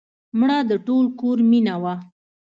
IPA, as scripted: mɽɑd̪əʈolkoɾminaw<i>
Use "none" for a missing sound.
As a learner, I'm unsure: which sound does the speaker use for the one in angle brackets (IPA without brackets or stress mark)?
a